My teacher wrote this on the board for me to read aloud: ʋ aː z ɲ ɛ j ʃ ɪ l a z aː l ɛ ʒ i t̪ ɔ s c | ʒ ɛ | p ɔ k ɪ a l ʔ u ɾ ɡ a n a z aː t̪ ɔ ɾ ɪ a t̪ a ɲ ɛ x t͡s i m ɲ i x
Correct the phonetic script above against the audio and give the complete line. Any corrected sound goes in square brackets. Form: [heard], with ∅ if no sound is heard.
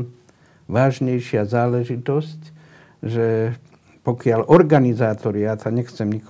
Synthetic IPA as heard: ʋ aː [ʒ] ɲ ɛ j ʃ ɪ [∅] a z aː l ɛ ʒ i t̪ ɔ s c | ʒ ɛ | p ɔ k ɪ a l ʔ [ɔ] ɾ ɡ a n [i] z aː t̪ ɔ ɾ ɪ a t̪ a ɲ ɛ x t͡s [ɛ] m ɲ i [k]